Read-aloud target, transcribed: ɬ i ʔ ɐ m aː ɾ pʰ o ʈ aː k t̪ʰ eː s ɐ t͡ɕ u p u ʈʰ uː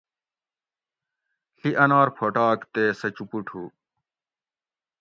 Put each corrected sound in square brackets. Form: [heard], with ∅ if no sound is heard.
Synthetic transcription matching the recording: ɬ i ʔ ɐ [n] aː ɾ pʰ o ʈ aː k [t̪] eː s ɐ t͡ɕ u p u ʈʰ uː